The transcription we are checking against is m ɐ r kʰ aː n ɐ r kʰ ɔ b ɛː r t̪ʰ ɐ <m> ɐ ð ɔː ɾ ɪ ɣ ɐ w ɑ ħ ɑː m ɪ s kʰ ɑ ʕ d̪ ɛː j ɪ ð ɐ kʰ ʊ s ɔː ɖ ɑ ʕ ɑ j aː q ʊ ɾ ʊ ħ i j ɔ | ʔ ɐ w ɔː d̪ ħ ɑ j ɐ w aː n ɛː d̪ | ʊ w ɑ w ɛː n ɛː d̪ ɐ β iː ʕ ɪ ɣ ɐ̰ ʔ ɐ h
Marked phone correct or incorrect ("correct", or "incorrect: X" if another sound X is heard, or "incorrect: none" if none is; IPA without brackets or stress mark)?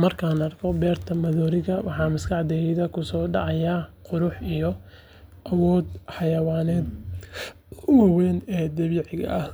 correct